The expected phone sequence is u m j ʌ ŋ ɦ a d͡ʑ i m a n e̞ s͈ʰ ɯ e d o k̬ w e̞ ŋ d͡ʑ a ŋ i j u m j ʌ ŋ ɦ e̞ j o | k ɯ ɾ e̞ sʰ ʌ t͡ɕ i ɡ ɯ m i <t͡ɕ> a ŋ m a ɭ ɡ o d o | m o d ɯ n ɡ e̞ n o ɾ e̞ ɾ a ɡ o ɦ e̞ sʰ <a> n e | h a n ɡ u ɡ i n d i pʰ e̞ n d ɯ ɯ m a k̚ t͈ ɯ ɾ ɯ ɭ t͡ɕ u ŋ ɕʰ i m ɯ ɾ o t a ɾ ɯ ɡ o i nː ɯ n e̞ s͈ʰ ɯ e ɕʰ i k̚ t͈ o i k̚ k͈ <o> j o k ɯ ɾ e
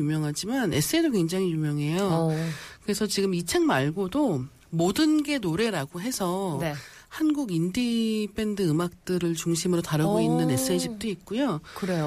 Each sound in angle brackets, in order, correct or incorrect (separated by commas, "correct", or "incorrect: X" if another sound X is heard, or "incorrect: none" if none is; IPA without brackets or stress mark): incorrect: t͡ɕʰ, incorrect: ʌ, incorrect: u